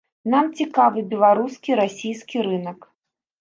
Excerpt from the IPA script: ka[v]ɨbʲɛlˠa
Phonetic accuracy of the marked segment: correct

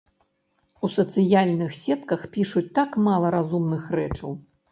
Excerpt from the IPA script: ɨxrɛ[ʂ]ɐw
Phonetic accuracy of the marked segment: incorrect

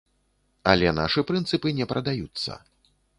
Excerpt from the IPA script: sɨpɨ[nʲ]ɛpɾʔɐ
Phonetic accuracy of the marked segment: correct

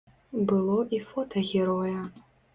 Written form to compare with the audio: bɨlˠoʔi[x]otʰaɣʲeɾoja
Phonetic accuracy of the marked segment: incorrect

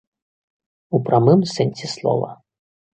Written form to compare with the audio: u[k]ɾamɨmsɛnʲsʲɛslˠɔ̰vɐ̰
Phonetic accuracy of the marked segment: incorrect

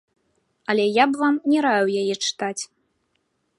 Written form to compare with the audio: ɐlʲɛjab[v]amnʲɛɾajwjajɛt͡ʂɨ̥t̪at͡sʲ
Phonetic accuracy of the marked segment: correct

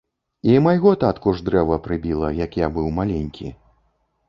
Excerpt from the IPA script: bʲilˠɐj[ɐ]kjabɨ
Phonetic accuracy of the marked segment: incorrect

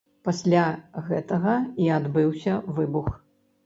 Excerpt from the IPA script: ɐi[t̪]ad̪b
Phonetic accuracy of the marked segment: incorrect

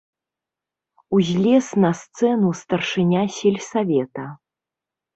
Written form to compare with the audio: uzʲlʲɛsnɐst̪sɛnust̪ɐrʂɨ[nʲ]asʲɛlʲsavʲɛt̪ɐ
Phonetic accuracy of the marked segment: correct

